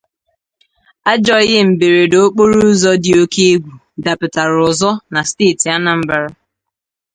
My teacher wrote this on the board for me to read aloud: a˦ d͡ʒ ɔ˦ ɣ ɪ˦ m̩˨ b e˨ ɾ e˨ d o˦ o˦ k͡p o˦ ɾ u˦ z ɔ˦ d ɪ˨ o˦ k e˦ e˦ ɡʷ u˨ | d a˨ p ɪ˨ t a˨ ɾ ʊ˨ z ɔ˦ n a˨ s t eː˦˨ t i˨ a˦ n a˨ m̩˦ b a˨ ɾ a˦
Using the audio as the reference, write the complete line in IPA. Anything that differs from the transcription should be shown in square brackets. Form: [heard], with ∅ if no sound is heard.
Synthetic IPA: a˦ d͡ʒ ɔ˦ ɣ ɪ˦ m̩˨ b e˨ ɾ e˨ d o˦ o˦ k͡p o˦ ɾ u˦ z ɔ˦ d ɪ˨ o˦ k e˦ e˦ ɡʷ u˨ | d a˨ p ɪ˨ t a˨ ɾ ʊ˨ z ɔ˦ n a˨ s t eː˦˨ t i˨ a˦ n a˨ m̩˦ b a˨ ɾ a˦